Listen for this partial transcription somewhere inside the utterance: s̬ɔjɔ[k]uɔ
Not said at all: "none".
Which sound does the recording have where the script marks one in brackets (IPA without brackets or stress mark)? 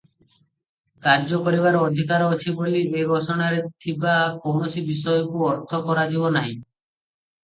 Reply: k